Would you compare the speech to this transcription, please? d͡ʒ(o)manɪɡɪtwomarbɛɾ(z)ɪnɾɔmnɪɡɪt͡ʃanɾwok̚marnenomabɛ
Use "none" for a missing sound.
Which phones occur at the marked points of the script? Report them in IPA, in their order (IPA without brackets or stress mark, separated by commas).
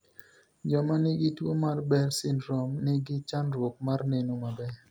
ɔ, s